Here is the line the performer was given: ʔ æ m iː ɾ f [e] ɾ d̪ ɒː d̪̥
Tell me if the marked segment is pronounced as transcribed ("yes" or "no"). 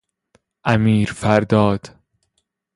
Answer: no